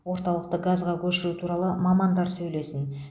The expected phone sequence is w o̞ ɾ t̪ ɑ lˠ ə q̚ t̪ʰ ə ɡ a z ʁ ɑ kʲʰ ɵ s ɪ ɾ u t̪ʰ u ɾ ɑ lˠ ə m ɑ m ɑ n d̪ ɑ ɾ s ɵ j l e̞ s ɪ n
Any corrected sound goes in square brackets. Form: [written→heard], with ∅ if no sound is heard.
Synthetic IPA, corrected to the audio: w o̞ ɾ t̪ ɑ lˠ ə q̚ [t̪ʰ→t̪] ə ɡ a z ʁ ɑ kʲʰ ɵ [s→ʃ] ɪ ɾ u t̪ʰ u ɾ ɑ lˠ ə m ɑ m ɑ n d̪ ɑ ɾ s ɵ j l e̞ s ɪ n